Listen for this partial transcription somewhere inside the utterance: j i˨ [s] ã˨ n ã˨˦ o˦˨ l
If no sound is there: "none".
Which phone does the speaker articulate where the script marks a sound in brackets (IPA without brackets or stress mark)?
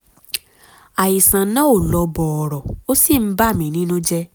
s